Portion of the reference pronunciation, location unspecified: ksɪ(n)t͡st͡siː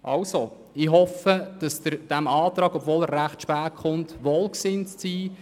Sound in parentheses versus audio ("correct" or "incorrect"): correct